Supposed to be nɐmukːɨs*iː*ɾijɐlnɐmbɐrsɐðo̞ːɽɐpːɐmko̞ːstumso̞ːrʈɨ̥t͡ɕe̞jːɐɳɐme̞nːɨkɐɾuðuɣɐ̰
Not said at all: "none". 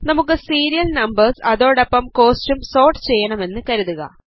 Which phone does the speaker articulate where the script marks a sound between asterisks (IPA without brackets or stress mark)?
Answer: iː